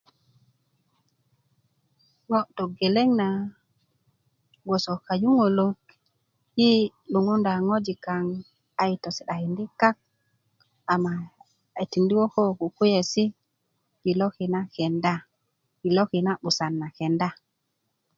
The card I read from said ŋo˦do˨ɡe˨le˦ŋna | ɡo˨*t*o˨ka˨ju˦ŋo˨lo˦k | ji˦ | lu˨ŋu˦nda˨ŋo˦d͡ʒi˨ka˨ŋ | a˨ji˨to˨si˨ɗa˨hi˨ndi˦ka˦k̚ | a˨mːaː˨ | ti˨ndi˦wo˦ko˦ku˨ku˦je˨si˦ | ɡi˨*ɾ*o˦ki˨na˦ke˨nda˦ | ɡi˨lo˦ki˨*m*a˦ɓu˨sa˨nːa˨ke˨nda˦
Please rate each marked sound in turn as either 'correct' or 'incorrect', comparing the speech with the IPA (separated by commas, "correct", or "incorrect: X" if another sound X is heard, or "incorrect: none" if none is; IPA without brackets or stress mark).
incorrect: s, incorrect: l, incorrect: n